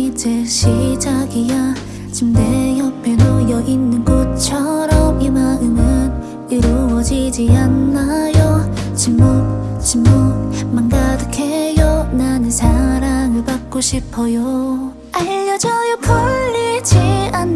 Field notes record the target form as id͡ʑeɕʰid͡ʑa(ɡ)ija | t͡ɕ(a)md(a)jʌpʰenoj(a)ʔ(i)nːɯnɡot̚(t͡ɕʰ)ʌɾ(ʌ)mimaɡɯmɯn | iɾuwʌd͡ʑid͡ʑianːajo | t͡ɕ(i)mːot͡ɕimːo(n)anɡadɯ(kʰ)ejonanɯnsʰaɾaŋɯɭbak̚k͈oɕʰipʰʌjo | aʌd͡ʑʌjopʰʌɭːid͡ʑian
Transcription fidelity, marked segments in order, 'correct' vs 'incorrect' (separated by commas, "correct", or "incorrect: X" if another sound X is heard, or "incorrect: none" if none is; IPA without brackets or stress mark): correct, incorrect: i, incorrect: e, incorrect: ʌ, correct, correct, correct, correct, incorrect: m, correct